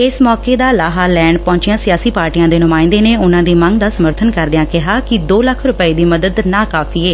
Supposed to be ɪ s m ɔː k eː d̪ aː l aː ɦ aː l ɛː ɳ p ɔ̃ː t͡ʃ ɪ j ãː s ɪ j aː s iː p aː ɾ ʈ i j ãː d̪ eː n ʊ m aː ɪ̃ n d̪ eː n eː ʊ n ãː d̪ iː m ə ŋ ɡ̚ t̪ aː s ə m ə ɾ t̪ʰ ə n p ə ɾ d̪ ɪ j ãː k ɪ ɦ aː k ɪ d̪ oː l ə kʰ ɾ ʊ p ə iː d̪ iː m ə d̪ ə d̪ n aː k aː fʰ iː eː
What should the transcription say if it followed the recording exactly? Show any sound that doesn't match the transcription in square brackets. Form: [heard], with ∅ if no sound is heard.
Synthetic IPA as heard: ɪ s m ɔː k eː d̪ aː l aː ɦ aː l ɛː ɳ p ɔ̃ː t͡ʃ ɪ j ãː s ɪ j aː s iː p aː ɾ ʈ i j ãː d̪ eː n ʊ m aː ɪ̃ n d̪ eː n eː ʊ n ãː d̪ iː m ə ŋ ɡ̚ [d̪] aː s ə m ə ɾ t̪ʰ ə n [k] ə ɾ d̪ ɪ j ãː k ɪ ɦ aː k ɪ d̪ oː l ə kʰ ɾ ʊ p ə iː d̪ iː m ə d̪ ə d̪ n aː k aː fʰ iː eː